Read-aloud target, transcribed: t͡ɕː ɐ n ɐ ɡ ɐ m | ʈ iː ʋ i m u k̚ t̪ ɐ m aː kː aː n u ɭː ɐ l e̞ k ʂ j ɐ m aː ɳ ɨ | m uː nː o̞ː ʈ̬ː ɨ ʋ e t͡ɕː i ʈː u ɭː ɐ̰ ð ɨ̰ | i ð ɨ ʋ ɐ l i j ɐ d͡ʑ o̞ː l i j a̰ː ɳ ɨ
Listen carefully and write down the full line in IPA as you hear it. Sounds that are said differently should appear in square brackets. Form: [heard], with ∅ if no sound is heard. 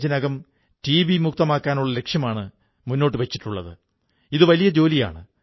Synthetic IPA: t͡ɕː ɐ n ɐ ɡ ɐ m | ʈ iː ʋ i m u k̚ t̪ ɐ m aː kː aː n u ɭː ɐ l e̞ k ʂ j ɐ m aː ɳ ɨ | m [u] nː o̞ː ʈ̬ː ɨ ʋ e t͡ɕː i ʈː u ɭː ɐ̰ ð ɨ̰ | i ð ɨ ʋ ɐ l i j ɐ d͡ʑ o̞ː l i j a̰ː ɳ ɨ